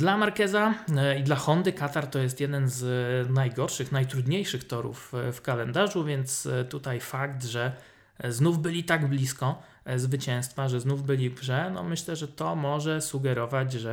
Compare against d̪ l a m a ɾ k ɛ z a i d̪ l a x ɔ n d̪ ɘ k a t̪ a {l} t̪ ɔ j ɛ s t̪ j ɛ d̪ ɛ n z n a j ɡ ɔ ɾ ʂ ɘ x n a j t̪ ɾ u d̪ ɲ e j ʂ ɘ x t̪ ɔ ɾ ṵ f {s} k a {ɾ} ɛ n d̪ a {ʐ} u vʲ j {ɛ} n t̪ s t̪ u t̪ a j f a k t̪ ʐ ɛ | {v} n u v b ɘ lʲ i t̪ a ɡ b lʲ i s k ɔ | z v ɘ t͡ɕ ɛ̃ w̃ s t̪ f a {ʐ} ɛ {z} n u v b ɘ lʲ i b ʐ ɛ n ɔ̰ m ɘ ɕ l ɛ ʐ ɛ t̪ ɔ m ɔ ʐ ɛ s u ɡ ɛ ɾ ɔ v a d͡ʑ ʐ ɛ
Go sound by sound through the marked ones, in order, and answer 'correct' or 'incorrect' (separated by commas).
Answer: incorrect, incorrect, incorrect, correct, correct, incorrect, correct, correct